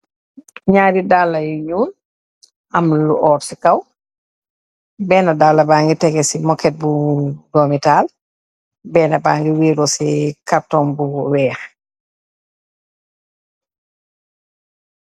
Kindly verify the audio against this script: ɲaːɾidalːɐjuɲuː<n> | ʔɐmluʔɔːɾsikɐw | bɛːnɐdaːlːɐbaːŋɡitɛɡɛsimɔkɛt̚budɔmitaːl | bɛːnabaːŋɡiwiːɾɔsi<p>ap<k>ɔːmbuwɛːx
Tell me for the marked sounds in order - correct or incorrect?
correct, incorrect: k, incorrect: t

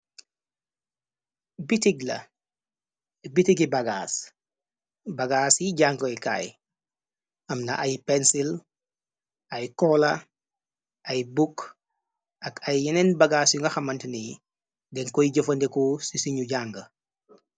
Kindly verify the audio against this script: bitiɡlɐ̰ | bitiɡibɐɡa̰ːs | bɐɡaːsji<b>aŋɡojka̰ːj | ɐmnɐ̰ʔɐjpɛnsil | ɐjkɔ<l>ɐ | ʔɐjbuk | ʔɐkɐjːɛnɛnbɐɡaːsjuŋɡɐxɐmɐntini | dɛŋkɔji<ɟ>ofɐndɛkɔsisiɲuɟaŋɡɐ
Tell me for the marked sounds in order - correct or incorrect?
incorrect: ɟ, correct, correct

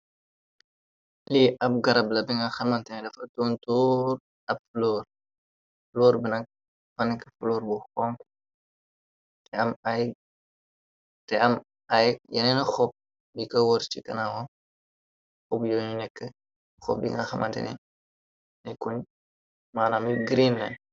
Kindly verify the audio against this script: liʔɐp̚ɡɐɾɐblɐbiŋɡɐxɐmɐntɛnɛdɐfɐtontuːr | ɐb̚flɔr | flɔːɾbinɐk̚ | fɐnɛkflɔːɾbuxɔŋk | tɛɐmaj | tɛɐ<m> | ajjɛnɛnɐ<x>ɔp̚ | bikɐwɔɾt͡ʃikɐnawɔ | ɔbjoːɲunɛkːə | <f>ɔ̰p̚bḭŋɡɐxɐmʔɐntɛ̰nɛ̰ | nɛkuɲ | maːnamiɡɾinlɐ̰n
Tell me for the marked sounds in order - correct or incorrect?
correct, correct, incorrect: x

